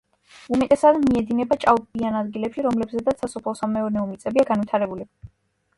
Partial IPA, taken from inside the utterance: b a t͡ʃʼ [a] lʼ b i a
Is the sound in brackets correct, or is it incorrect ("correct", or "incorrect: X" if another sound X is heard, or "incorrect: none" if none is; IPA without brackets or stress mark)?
correct